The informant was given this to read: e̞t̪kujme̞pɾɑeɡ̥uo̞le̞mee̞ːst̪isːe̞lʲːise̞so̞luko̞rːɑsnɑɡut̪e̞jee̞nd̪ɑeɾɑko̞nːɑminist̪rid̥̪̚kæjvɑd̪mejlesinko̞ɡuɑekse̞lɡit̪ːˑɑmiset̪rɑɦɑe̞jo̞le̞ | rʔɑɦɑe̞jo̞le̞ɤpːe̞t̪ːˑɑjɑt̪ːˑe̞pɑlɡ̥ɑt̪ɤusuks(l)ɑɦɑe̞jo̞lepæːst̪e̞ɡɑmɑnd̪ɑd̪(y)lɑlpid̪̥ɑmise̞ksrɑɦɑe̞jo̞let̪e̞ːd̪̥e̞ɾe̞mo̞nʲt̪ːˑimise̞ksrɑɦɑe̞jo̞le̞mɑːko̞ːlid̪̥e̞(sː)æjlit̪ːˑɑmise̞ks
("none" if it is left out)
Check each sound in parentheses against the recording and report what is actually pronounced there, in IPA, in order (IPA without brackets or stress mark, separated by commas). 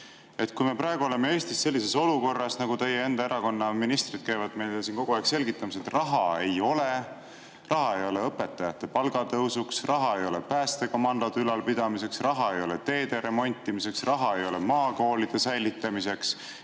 r, y, s